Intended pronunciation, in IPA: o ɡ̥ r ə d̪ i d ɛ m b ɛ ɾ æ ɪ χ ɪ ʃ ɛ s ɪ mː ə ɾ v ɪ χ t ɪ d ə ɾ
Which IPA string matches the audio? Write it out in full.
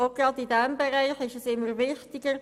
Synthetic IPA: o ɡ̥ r ɑ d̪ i d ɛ m b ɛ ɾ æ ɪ χ ɪ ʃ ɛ s ɪ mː ə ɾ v ɪ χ t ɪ ɡ ə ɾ